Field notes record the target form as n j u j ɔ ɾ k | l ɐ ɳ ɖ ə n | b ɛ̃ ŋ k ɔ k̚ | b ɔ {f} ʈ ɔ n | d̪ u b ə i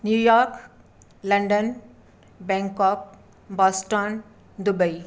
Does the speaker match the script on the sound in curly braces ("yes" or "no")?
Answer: no